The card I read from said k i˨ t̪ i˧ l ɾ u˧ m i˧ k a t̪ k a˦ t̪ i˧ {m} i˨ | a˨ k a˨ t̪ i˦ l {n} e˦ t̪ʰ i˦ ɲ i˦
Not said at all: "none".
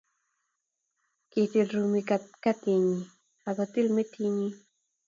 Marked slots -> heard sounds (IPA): ɲ, m

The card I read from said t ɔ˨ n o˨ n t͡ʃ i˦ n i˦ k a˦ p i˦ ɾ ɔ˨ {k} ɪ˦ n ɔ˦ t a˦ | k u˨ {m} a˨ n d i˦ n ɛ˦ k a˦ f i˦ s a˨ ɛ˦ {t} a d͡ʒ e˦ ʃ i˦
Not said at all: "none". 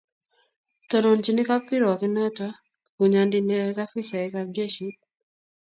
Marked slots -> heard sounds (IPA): k, ɲ, k

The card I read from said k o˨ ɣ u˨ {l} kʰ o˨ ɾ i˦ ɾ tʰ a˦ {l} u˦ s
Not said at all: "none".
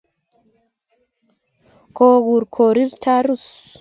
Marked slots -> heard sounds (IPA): ɾ, ɾ

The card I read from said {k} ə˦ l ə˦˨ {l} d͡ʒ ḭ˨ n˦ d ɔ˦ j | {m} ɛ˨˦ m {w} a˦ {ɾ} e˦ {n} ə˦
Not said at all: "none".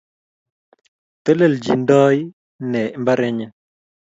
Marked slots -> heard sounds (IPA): t, l, n, b, ɾ, ɲ

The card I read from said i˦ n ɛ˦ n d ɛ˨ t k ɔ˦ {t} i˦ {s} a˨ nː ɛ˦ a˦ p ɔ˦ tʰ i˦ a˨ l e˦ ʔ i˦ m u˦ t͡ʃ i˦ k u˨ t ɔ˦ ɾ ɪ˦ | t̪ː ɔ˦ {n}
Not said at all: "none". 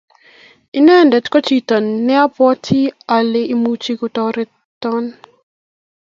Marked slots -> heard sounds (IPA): t͡ʃ, t, n

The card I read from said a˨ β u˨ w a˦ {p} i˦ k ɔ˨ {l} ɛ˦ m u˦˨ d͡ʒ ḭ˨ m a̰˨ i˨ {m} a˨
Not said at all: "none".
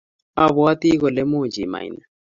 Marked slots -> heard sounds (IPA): t, l, n

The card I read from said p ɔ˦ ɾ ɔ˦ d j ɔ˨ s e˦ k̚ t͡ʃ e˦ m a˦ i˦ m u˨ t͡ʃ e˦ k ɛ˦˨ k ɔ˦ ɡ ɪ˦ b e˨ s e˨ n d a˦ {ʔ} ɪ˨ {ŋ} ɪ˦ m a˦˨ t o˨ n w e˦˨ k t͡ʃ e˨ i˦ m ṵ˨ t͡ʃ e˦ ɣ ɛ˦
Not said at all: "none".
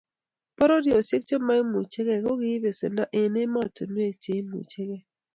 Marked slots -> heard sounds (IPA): ʔ, n

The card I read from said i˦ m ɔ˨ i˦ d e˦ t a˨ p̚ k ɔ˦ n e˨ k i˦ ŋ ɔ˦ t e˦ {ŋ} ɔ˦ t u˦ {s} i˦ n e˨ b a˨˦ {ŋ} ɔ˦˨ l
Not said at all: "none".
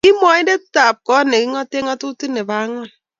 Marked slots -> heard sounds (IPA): ŋ, t, ŋ

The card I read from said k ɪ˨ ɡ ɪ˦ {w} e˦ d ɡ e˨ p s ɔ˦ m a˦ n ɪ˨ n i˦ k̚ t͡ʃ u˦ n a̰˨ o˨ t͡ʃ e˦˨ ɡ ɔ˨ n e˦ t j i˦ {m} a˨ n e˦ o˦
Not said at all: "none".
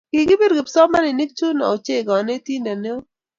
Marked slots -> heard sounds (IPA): b, n

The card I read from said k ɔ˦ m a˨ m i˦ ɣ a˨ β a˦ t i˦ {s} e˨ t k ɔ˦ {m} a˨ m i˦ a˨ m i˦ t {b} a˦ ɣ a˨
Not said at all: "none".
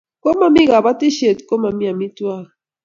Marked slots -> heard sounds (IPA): ʃ, m, w

